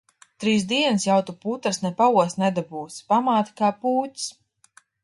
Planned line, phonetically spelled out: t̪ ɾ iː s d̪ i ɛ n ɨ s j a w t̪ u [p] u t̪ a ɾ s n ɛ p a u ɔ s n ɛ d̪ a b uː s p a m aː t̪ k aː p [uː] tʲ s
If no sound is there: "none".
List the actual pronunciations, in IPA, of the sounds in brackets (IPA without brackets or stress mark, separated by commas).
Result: p, uː